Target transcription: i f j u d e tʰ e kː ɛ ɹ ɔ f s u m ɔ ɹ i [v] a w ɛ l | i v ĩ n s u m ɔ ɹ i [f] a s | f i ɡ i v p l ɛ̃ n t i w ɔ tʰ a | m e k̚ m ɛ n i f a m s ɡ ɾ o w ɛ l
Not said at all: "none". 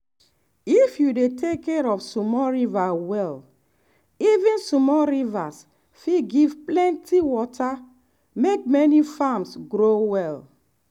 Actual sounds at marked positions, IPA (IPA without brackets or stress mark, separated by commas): v, v